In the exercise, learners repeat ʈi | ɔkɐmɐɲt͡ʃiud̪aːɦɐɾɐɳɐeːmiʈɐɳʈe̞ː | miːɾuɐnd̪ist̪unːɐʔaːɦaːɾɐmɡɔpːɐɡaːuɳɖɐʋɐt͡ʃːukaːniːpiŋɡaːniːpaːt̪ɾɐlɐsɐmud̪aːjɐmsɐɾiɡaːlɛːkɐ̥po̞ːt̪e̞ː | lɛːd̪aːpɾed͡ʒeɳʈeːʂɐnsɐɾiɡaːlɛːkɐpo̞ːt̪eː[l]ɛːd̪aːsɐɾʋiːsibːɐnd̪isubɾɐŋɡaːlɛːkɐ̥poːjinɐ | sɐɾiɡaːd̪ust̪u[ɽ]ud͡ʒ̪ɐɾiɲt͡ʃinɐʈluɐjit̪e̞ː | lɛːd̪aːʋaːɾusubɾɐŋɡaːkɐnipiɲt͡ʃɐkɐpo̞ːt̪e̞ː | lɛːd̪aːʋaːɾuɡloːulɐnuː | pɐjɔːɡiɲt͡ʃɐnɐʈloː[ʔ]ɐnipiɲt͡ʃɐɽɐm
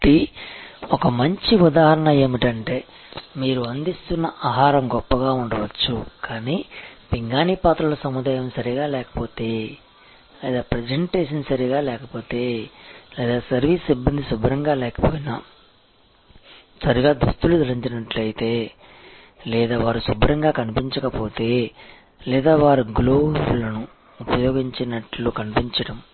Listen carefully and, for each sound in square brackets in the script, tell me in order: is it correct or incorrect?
correct, incorrect, incorrect

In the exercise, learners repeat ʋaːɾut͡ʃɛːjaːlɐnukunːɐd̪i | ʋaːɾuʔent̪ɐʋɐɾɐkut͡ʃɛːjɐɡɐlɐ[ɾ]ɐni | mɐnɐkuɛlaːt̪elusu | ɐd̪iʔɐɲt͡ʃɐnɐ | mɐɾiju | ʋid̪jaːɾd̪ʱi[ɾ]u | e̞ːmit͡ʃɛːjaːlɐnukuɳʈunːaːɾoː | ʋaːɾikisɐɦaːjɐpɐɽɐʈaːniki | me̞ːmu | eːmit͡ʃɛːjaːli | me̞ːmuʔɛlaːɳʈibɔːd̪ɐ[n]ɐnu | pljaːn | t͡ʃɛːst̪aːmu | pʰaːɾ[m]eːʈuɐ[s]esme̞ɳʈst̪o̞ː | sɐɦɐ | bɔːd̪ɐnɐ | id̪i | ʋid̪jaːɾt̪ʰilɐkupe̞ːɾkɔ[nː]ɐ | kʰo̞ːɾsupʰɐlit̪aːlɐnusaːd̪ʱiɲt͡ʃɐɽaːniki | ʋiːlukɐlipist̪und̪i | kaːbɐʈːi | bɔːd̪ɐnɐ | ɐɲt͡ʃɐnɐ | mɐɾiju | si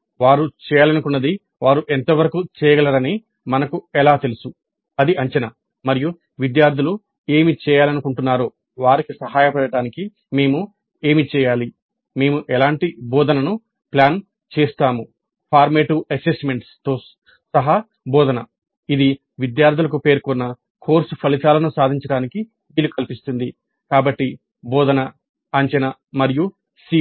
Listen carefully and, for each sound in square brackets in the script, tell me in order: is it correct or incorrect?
correct, incorrect, correct, correct, correct, correct

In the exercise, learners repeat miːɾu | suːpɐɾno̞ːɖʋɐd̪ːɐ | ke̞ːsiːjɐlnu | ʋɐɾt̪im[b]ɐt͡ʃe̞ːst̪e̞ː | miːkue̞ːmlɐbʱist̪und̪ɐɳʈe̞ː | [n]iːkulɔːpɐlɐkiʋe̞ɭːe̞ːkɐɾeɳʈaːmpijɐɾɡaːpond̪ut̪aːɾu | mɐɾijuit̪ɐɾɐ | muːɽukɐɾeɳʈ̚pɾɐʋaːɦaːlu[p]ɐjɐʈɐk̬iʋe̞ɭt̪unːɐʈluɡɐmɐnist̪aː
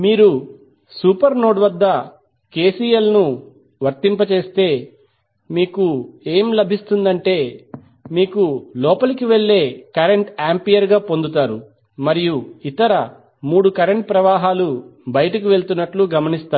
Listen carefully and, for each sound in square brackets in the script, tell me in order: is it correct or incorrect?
incorrect, incorrect, incorrect

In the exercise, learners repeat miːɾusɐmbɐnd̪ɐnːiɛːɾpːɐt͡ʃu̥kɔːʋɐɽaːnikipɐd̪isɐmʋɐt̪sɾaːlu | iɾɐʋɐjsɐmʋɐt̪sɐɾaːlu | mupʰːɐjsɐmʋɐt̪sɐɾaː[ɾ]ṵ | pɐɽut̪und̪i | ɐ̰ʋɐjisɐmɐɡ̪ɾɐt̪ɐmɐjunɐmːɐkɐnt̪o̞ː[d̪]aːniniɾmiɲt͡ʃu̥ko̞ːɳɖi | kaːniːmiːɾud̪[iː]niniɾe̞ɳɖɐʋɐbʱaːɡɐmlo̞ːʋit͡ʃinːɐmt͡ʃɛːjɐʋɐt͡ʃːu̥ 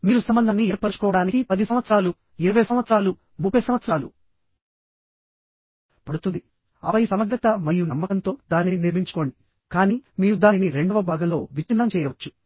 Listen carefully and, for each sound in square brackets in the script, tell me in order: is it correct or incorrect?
incorrect, correct, incorrect

